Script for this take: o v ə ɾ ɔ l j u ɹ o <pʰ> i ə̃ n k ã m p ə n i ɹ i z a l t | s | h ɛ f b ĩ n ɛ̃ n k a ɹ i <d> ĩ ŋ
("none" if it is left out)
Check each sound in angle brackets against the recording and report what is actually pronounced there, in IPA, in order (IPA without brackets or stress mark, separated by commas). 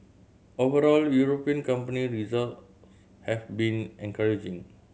p, d͡ʒ